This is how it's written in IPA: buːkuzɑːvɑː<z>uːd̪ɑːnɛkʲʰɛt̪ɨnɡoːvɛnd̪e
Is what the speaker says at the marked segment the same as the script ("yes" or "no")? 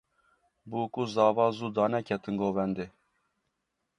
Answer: yes